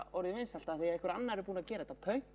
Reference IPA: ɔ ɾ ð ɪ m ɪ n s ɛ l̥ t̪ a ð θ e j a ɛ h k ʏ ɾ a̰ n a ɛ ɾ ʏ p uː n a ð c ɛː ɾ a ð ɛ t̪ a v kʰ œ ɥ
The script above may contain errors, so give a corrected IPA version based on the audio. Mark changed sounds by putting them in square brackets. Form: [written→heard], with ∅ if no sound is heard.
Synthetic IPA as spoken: ɔ ɾ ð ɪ m ɪ n s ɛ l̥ t̪ a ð θ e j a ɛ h k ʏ ɾ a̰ [n→nː] a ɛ ɾ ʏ p uː n a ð c ɛː ɾ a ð ɛ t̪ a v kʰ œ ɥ